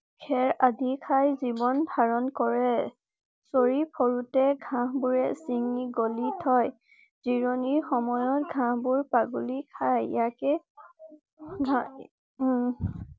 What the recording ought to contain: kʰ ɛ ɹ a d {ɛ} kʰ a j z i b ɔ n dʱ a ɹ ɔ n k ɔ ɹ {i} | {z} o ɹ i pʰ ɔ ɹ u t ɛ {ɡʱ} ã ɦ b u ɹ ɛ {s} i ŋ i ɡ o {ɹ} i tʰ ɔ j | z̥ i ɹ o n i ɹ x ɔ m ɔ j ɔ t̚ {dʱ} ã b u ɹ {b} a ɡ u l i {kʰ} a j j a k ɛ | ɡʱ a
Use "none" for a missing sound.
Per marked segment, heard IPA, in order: i, ɛ, s, ɡʱ, s, l, ɡʱ, p, kʰ

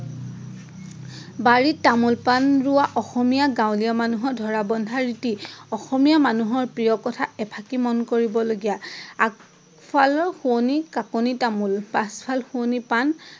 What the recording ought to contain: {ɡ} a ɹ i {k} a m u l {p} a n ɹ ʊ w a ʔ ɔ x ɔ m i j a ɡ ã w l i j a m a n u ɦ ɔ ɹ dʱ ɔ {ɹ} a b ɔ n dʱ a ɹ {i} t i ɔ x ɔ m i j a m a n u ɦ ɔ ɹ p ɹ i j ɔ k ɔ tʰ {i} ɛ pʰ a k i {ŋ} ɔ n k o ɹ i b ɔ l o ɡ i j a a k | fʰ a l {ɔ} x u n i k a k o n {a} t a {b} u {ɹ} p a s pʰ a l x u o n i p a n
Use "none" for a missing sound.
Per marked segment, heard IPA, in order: b, t, p, ɹ, i, a, m, ɔ, i, m, l

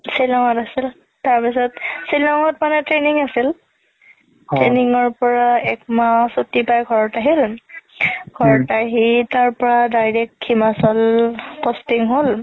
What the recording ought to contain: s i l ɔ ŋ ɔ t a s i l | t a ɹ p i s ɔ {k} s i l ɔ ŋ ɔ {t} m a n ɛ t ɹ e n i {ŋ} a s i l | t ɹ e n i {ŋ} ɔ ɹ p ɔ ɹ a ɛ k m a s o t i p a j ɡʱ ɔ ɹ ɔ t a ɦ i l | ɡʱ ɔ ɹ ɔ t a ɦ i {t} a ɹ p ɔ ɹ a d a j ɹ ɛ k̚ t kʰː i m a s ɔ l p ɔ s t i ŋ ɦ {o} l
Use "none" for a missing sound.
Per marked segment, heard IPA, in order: t, t, ŋ, ŋ, t, o

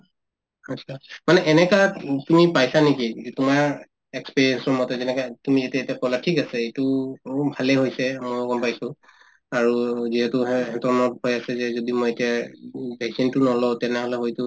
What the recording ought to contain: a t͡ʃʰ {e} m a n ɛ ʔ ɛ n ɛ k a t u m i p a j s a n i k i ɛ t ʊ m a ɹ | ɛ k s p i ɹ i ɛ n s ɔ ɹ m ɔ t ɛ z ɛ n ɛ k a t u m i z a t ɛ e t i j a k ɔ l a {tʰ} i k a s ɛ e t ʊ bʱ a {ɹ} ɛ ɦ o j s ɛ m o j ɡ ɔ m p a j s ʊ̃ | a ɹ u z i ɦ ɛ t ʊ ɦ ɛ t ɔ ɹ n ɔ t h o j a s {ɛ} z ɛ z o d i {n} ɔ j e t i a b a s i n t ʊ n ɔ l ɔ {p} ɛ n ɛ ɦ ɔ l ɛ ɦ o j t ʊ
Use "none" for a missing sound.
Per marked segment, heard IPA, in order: a, tʰ, l, ɛ, m, t

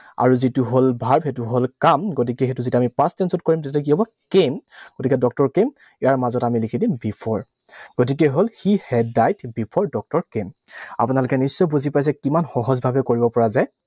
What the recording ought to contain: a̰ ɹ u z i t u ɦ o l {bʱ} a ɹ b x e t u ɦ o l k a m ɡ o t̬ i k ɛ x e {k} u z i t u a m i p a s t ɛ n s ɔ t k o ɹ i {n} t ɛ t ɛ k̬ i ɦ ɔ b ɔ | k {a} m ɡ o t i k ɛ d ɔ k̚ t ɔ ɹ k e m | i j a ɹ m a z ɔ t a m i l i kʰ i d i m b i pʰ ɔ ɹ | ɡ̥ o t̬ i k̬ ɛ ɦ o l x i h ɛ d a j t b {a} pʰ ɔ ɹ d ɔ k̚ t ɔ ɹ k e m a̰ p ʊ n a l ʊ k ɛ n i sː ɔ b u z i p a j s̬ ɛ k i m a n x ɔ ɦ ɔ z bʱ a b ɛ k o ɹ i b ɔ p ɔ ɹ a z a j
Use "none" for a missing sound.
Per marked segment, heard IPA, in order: bʱ, t, m, e, i

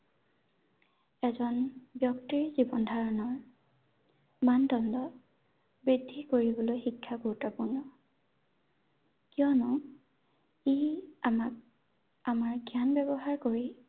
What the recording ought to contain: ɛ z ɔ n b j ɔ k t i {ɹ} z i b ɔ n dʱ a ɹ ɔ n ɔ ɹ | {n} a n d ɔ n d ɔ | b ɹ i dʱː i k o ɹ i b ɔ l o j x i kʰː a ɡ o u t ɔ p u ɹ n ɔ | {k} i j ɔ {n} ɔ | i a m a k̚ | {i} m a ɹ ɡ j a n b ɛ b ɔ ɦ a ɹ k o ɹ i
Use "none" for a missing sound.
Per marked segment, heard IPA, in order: ɹ, m, k, n, a

